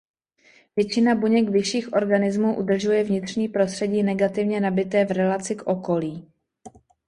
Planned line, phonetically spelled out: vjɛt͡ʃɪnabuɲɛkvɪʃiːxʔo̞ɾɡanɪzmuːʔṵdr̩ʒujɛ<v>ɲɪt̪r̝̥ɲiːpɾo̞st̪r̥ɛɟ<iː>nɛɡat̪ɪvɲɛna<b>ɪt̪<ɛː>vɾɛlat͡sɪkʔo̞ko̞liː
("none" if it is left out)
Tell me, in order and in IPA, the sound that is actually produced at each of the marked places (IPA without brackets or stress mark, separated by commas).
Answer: v, iː, b, ɛː